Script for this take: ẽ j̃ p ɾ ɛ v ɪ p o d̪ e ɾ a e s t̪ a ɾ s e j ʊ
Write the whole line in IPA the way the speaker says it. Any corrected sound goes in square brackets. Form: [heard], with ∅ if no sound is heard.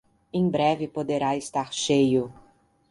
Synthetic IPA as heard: ẽ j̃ [b] ɾ ɛ v ɪ p o d̪ e ɾ a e s t̪ a ɾ [ʃ] e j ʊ

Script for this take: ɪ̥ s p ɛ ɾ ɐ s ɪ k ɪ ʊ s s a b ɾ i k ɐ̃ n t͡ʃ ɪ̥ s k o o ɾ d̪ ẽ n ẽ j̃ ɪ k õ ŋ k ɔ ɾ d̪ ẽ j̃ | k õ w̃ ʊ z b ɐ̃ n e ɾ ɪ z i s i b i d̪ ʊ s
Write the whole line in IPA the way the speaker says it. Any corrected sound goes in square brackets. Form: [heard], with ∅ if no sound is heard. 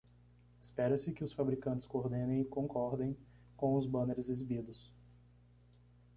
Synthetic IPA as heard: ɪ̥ s p ɛ ɾ ɐ s ɪ k ɪ ʊ s [f] a b ɾ i k ɐ̃ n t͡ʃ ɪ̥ s k o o ɾ d̪ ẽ n ẽ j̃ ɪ k õ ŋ k ɔ ɾ d̪ ẽ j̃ | k õ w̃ ʊ z b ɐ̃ n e ɾ ɪ z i [z] i b i d̪ ʊ s

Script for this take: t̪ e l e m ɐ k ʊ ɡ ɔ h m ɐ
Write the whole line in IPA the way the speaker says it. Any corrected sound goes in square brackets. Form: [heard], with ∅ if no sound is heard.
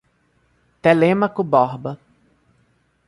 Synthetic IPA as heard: t̪ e l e m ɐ k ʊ [b] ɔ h [b] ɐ

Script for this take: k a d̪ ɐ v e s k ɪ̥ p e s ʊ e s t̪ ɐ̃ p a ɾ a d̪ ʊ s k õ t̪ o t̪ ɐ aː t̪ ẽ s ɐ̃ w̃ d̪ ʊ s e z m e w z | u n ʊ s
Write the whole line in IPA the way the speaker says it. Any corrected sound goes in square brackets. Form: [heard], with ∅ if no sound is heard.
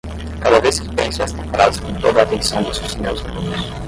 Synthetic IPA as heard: k a d̪ ɐ v e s k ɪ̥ p [ẽ] s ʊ [ɛ] s t̪ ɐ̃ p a ɾ a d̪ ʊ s k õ t̪ o [d̪] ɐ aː t̪ ẽ s ɐ̃ w̃ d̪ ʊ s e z m e w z | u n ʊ s

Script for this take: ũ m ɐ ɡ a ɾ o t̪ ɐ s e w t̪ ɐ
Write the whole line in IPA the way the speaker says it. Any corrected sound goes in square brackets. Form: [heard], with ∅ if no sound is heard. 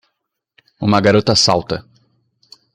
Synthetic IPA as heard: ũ m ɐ ɡ a ɾ o t̪ ɐ s [a] w t̪ ɐ

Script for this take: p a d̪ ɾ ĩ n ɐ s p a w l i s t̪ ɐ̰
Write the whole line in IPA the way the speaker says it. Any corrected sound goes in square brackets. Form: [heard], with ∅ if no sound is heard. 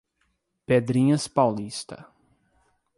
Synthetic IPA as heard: p [e] d̪ ɾ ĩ [ɲ] ɐ s p a w l i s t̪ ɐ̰

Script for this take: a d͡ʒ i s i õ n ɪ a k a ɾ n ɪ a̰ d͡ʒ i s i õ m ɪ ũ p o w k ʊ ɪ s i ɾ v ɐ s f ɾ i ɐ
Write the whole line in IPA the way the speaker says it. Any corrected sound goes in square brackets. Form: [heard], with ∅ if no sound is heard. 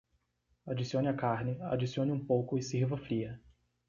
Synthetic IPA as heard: a d͡ʒ i s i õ n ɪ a k a ɾ n ɪ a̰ d͡ʒ i s i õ [n] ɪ ũ p o w k ʊ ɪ s i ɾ v ɐ [∅] f ɾ i ɐ

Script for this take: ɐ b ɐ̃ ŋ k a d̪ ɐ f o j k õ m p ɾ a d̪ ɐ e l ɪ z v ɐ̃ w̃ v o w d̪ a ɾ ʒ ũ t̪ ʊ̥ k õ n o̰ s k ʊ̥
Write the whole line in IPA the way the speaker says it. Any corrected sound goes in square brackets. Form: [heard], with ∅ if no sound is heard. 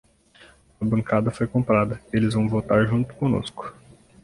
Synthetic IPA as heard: ɐ b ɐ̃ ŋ k a d̪ ɐ f o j k õ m p ɾ a d̪ ɐ e l ɪ z v ɐ̃ w̃ v o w [t̪] a ɾ ʒ ũ t̪ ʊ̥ k õ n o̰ s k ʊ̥

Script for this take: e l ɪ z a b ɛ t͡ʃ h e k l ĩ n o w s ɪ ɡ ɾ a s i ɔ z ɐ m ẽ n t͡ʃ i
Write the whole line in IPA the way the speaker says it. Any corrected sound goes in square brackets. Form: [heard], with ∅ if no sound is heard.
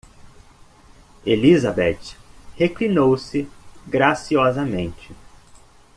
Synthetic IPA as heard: e l [i] z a b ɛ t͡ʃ h e k l [i] n o w s ɪ ɡ ɾ a s i ɔ z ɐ m ẽ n t͡ʃ [ɪ]

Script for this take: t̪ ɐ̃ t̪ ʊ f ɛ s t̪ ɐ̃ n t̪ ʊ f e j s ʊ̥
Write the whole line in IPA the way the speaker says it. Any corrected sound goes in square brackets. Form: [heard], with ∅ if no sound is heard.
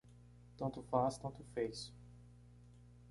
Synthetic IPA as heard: t̪ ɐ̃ t̪ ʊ f [a] s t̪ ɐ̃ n t̪ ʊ f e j s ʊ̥

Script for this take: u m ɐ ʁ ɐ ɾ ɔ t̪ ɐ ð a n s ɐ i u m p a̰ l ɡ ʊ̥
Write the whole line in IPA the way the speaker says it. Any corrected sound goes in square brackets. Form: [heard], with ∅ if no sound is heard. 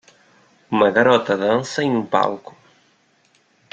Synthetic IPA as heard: u m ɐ [ɣ] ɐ ɾ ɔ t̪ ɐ ð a n s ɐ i u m p a̰ l [k] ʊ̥

